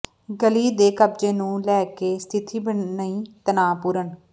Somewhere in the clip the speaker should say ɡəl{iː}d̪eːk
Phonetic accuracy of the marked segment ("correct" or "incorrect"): correct